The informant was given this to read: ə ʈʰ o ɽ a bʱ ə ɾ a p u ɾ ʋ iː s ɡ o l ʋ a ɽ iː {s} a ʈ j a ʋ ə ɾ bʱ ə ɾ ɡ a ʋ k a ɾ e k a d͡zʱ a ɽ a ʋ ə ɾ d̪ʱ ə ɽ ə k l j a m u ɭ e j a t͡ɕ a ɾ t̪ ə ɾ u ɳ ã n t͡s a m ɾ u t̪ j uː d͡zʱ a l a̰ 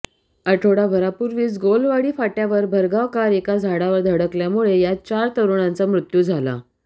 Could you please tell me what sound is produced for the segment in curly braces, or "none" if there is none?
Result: f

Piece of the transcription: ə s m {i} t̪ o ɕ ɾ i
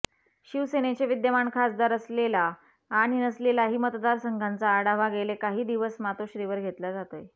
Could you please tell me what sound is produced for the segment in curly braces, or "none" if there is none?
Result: a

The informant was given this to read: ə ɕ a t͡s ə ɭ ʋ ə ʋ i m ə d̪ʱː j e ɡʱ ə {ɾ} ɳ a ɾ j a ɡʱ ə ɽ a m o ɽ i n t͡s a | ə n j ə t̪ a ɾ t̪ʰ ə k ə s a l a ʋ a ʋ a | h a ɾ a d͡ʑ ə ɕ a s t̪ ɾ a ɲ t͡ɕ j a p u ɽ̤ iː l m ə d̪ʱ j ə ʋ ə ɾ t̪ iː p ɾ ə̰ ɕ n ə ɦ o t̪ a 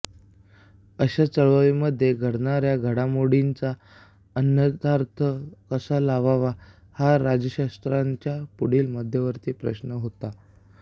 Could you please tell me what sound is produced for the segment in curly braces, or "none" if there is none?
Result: ɽ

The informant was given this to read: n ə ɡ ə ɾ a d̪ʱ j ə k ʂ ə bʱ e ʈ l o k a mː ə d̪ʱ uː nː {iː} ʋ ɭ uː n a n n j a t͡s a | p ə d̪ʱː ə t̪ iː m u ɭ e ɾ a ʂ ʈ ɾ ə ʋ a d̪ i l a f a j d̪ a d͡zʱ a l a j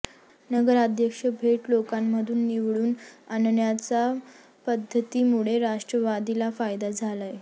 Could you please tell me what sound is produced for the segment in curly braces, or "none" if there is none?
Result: i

